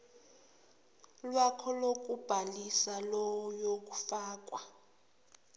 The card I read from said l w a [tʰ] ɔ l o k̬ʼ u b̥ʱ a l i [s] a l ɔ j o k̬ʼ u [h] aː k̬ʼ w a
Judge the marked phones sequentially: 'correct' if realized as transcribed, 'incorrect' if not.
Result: incorrect: kʰ, correct, incorrect: f

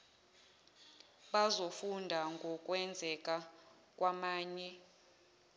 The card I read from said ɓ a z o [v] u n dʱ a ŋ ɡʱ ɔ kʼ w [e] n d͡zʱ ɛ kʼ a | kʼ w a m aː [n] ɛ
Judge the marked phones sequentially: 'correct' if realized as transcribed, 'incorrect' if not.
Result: incorrect: f, incorrect: ɛ, incorrect: ɲ

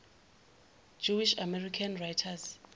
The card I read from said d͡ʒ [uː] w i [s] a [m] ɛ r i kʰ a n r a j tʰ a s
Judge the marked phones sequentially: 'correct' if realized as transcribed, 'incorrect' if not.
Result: incorrect: u, incorrect: ʃ, correct

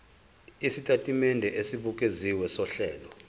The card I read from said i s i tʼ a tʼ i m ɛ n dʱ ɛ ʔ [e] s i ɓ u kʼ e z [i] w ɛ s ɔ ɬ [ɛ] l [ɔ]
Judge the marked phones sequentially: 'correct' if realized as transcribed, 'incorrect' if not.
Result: correct, correct, incorrect: ɛː, correct

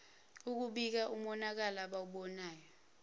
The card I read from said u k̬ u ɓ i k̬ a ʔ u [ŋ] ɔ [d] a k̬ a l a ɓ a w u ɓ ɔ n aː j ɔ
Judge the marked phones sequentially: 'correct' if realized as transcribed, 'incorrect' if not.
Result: incorrect: m, incorrect: n

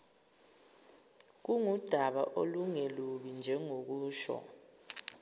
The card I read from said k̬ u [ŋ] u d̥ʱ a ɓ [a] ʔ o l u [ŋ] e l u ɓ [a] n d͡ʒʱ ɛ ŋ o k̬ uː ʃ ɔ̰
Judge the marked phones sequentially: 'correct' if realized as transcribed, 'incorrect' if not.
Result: correct, correct, correct, incorrect: i

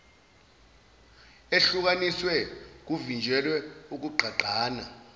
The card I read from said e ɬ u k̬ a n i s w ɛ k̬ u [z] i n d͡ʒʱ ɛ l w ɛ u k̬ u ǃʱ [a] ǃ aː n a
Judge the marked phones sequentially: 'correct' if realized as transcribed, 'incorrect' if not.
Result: incorrect: v, correct

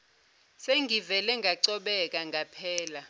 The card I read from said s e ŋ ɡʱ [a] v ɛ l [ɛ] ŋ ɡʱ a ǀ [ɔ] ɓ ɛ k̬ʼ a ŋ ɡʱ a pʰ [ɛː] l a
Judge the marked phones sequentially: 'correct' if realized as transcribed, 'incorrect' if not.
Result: incorrect: i, correct, correct, correct

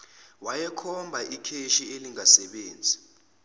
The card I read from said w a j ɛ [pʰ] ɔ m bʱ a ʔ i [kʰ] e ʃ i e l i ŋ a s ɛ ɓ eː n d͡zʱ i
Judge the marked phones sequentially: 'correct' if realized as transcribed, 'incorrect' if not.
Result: incorrect: kʰ, correct

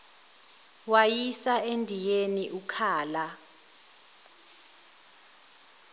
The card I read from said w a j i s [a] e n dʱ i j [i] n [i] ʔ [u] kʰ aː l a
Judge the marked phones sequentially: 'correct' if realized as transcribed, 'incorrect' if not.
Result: correct, incorrect: e, correct, correct

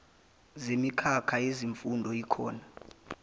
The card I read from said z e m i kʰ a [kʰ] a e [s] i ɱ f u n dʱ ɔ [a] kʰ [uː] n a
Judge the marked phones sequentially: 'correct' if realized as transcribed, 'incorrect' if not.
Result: correct, incorrect: z, incorrect: i, incorrect: ɔː

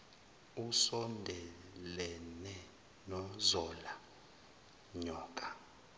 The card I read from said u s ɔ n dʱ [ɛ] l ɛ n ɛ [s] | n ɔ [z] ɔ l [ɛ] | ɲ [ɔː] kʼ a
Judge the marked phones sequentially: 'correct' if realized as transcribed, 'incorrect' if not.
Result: correct, incorrect: none, correct, incorrect: a, correct

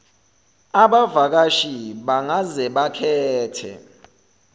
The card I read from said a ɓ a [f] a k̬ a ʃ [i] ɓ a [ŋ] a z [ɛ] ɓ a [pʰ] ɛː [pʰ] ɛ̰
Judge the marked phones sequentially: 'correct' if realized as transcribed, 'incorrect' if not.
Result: incorrect: v, correct, correct, correct, incorrect: kʰ, incorrect: tʰ

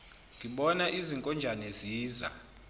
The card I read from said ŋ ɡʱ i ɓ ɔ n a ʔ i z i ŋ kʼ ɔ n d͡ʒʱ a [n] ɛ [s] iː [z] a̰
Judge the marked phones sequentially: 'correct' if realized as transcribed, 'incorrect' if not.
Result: correct, incorrect: z, correct

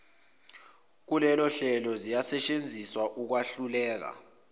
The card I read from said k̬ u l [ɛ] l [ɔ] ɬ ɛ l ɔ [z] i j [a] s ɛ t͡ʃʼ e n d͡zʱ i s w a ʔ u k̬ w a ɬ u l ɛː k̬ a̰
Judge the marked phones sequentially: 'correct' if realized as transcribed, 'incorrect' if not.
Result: correct, correct, correct, correct

